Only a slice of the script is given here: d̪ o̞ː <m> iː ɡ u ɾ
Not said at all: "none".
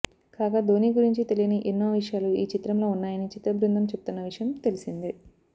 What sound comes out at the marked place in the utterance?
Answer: n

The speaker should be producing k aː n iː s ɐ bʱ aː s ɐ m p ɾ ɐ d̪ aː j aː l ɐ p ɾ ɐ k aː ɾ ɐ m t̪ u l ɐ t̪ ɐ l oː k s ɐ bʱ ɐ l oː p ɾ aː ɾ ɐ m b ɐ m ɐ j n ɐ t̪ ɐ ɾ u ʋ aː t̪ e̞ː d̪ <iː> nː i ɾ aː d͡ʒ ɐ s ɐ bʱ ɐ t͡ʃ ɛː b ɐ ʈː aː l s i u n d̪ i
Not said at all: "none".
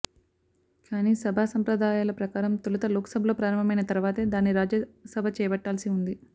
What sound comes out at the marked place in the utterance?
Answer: aː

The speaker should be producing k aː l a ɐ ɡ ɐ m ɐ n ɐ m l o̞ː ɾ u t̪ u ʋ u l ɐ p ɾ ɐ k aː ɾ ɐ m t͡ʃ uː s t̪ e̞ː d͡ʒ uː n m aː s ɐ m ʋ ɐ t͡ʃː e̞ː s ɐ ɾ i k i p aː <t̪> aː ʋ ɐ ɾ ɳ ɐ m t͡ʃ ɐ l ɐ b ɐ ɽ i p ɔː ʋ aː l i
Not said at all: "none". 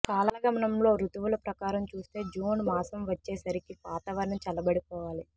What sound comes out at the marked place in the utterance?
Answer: t̪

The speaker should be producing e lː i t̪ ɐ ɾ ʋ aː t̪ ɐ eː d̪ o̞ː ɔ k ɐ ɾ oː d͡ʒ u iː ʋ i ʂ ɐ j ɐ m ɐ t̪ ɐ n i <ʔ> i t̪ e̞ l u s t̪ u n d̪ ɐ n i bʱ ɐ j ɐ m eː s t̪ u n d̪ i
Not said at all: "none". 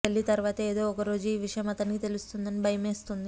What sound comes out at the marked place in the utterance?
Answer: k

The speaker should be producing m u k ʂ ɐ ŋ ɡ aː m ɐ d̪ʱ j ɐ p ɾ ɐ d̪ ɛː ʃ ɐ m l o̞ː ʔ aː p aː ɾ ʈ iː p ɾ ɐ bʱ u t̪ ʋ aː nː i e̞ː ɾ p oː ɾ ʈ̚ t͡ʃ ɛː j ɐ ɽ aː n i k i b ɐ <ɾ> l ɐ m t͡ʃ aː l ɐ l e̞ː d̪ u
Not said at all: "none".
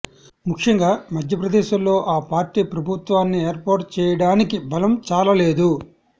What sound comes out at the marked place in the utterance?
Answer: none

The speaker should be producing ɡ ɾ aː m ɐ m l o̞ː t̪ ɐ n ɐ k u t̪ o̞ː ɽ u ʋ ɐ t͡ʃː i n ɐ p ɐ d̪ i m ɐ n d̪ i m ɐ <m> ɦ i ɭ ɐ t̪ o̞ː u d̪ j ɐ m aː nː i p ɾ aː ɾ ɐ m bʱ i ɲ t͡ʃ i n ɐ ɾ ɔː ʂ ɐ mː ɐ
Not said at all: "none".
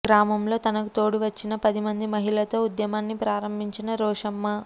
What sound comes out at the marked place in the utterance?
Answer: none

